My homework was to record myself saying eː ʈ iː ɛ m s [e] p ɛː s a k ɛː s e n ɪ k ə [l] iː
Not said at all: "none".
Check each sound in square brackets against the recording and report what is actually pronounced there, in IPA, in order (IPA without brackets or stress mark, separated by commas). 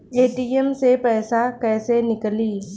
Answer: e, l